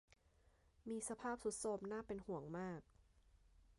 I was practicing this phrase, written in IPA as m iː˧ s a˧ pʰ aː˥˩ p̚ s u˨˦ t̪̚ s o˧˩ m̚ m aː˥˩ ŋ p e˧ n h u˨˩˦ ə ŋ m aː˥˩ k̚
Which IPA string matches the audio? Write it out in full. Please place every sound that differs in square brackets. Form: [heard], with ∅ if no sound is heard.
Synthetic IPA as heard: m iː˧ s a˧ pʰ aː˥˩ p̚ s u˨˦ t̪̚ s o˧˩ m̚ [n] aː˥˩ [∅] p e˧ n h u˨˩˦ ə ŋ m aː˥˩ k̚